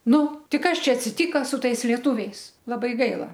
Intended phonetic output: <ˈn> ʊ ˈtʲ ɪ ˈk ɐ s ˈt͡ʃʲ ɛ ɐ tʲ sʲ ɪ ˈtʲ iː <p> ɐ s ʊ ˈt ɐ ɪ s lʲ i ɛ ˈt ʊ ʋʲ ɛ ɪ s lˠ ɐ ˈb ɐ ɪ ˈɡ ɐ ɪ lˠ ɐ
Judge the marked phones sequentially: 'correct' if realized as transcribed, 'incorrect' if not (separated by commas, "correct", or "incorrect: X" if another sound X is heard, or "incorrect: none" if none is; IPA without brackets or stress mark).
correct, incorrect: k